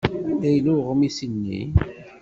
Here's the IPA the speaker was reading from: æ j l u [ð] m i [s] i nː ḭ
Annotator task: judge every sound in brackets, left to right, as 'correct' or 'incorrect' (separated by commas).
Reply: incorrect, correct